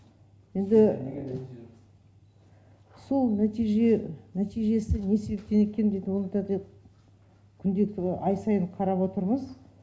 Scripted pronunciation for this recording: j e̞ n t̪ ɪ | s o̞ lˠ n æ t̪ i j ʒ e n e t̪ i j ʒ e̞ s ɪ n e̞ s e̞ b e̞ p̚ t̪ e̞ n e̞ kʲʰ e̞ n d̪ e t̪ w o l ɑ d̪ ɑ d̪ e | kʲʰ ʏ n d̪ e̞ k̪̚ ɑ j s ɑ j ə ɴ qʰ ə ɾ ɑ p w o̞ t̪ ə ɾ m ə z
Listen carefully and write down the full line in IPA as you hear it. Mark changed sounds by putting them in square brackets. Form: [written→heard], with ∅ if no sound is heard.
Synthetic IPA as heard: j e̞ n [t̪→d̪] ɪ | s o̞ lˠ n æ t̪ i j ʒ e n [e→æ] t̪ i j ʒ e̞ s ɪ n e̞ s e̞ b e̞ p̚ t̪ e̞ n e̞ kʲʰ e̞ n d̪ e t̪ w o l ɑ [d̪→t̪] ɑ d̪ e | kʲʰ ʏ n d̪ e̞ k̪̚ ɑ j s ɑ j ə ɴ qʰ [ə→ɑ] ɾ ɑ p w o̞ t̪ ə ɾ m ə z

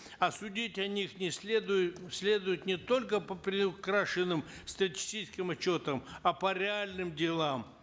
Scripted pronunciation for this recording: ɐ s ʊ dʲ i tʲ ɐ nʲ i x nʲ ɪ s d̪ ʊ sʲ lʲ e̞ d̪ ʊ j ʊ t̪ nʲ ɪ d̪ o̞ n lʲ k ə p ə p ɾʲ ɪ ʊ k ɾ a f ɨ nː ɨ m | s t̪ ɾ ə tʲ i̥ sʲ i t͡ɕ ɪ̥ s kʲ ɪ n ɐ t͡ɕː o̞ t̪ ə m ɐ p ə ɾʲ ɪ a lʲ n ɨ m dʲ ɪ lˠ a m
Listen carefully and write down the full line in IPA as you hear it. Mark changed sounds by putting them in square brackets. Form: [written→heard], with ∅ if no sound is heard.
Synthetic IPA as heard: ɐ s ʊ dʲ i tʲ ɐ nʲ i x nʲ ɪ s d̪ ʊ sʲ lʲ e̞ d̪ ʊ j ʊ t̪ nʲ ɪ [d̪→t̪] o̞ [n→∅] lʲ k ə p ə p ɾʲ ɪ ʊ k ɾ a [f→ʂ] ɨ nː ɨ m | s t̪ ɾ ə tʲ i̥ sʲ i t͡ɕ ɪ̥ s kʲ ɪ [n→m] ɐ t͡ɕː o̞ t̪ ə m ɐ p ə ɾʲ ɪ a lʲ n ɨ m dʲ ɪ lˠ a m

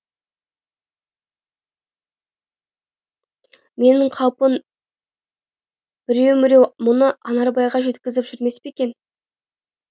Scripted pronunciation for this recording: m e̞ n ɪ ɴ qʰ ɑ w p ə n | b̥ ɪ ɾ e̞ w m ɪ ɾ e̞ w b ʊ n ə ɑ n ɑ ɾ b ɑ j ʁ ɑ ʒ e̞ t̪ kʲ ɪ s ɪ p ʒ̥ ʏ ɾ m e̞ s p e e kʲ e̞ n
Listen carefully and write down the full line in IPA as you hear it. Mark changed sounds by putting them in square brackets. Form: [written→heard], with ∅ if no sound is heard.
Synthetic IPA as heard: m e̞ n ɪ ɴ qʰ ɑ w p ə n | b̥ ɪ ɾ e̞ w m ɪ ɾ e̞ w [b→m] ʊ n ə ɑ n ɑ ɾ b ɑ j ʁ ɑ ʒ e̞ t̪ kʲ ɪ [s→z] ɪ p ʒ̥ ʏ ɾ m e̞ s p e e kʲ e̞ n

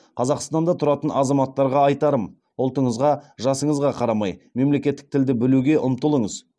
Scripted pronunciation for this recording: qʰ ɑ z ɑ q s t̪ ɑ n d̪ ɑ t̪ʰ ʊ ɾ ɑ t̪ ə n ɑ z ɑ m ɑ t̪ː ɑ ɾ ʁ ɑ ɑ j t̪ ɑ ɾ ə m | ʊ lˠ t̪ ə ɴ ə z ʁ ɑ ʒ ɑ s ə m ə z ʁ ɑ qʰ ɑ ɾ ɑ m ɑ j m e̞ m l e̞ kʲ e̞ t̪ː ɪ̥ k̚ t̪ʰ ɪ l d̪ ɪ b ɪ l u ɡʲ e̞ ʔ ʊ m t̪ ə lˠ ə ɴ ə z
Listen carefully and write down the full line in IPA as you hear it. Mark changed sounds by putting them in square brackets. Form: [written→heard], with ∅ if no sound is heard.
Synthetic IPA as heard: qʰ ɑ z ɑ q s t̪ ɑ n d̪ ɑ t̪ʰ ʊ ɾ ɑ t̪ ə n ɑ z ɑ m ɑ t̪ː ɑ ɾ ʁ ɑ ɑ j t̪ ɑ ɾ ə m | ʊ lˠ t̪ ə ɴ ə z ʁ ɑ ʒ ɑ s ə [m→ɴ] ə z ʁ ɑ qʰ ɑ ɾ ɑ m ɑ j m e̞ m l e̞ kʲ e̞ t̪ː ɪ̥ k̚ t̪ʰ ɪ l d̪ ɪ b ɪ l u ɡʲ e̞ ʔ ʊ m t̪ ə lˠ ə ɴ ə z

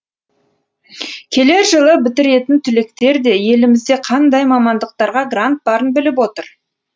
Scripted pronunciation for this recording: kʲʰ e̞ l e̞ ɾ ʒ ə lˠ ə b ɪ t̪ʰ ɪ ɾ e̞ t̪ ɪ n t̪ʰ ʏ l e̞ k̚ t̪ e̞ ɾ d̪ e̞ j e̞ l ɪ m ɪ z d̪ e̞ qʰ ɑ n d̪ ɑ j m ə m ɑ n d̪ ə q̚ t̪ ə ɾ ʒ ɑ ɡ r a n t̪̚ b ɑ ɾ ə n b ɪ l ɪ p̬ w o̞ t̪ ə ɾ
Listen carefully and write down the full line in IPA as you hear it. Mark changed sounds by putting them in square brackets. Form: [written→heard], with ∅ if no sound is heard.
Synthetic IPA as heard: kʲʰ e̞ l e̞ ɾ ʒ ə lˠ ə b ɪ [t̪ʰ→t̪] ɪ ɾ e̞ t̪ ɪ n t̪ʰ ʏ l e̞ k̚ t̪ e̞ ɾ d̪ e̞ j e̞ l ɪ m ɪ z d̪ e̞ qʰ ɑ n d̪ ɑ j m [ə→ɑ] m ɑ n d̪ ə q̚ t̪ [ə→ɑ] ɾ [ʒ→ʁ] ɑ ɡ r a n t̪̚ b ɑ ɾ ə n b ɪ l ɪ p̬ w o̞ t̪ ə ɾ

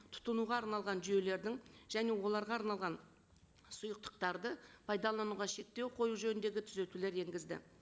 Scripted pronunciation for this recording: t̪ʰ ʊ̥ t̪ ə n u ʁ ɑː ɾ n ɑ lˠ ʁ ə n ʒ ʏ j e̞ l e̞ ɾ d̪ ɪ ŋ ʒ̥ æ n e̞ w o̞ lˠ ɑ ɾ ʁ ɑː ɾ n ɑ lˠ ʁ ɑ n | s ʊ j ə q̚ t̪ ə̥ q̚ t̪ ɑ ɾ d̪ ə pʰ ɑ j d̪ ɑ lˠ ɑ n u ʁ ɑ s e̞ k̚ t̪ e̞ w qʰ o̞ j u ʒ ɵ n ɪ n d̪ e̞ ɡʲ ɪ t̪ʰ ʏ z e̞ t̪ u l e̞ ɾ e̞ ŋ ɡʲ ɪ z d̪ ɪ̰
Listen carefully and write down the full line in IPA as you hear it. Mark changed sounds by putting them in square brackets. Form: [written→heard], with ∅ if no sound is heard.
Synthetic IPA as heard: t̪ʰ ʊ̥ t̪ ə n u ʁ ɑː ɾ n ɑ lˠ ʁ [ə→ɑ] n ʒ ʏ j e̞ l e̞ ɾ d̪ ɪ ŋ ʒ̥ æ n e̞ w o̞ lˠ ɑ ɾ ʁ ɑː ɾ n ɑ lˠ ʁ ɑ n | s ʊ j ə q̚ t̪ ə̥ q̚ t̪ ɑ ɾ d̪ ə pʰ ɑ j d̪ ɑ lˠ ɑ n u ʁ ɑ [s→ʃ] e̞ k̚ t̪ e̞ w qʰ o̞ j u ʒ ɵ n ɪ n d̪ e̞ ɡʲ ɪ t̪ʰ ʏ z e̞ t̪ u l e̞ ɾ e̞ ŋ ɡʲ ɪ z d̪ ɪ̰

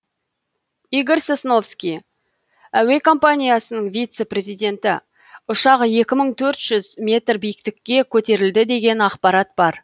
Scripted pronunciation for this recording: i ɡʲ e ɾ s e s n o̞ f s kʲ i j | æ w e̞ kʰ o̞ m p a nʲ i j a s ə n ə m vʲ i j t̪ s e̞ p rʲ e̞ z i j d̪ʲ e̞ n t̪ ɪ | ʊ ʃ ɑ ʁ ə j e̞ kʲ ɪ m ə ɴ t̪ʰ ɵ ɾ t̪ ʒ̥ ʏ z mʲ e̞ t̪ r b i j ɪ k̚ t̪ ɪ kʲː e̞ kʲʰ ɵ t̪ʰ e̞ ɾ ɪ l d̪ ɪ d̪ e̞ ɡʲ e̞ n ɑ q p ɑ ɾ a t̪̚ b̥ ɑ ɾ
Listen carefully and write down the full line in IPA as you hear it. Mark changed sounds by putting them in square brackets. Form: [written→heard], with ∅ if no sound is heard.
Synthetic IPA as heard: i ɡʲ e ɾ s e s n o̞ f s kʲ i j | æ w e̞ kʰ o̞ m p a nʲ i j a s ə n ə [m→ɴ] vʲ i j t̪ s e̞ p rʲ e̞ z i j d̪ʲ e̞ n t̪ ɪ | ʊ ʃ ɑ ʁ ə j e̞ kʲ ɪ m ə ɴ t̪ʰ ɵ ɾ t̪ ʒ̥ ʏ z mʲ e̞ t̪ r b i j ɪ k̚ t̪ ɪ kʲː e̞ kʲʰ ɵ [t̪ʰ→t̪] e̞ ɾ ɪ l d̪ ɪ d̪ e̞ ɡʲ e̞ n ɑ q p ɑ ɾ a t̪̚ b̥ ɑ ɾ

